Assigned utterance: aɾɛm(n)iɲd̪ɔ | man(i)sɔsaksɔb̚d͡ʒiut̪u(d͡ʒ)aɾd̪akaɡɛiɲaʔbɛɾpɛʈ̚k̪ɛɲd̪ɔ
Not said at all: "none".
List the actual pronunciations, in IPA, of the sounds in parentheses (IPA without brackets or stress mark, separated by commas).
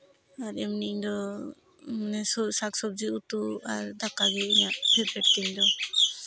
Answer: n, ɛ, none